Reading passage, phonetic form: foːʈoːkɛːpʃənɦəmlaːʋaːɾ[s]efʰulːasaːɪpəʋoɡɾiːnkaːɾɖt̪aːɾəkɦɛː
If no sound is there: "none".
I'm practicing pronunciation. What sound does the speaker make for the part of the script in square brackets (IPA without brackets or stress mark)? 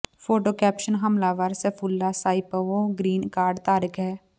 s